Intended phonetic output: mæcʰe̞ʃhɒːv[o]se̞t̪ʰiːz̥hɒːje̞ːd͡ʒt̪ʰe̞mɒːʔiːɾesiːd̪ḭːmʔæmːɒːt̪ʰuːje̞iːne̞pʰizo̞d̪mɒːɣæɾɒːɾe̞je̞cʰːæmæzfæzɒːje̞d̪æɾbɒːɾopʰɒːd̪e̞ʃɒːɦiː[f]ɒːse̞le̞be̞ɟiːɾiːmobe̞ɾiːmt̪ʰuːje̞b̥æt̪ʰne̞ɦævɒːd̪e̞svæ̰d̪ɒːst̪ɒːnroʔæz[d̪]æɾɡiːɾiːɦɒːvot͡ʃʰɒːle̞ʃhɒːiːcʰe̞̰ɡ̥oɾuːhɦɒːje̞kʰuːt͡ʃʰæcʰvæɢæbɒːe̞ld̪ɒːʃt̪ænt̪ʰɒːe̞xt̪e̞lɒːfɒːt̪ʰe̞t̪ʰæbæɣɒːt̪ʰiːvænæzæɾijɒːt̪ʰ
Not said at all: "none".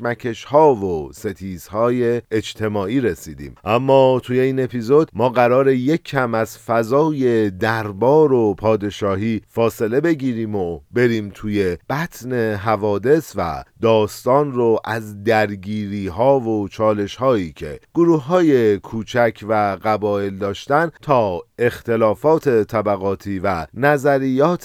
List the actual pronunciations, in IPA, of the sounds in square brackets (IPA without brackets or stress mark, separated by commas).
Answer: o, f, d̪